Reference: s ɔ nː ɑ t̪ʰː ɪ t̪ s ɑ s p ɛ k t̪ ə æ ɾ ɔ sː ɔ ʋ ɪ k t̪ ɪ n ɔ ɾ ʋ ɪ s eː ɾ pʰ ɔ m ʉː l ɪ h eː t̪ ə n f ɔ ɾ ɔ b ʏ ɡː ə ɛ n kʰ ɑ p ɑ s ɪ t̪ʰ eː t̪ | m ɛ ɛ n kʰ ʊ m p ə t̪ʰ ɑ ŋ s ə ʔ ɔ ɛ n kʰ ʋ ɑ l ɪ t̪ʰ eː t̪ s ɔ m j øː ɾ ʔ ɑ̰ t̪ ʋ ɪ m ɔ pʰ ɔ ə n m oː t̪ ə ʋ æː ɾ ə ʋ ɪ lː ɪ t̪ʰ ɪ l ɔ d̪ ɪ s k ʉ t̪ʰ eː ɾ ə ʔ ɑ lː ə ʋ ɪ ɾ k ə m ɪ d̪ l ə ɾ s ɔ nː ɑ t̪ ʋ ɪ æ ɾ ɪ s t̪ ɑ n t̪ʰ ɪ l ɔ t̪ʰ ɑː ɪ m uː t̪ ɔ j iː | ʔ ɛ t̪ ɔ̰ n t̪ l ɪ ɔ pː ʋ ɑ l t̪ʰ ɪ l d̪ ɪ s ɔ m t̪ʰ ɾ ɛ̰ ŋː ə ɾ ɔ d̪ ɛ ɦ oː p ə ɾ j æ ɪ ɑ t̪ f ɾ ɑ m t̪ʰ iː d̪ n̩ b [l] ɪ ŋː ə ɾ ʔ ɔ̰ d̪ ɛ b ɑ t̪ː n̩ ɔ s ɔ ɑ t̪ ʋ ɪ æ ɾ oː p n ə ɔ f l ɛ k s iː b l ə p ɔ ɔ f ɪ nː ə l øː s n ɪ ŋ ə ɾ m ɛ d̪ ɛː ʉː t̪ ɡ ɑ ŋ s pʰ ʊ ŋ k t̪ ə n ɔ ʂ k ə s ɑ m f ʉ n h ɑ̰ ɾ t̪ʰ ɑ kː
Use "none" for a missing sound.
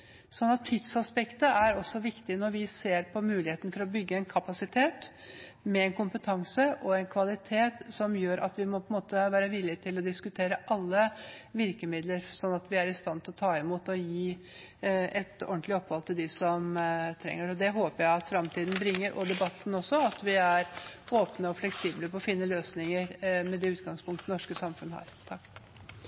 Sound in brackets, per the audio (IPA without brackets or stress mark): ɾ